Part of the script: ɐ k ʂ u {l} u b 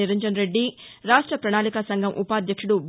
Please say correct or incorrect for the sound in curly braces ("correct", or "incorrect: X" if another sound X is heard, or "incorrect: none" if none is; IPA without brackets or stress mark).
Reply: incorrect: ɽ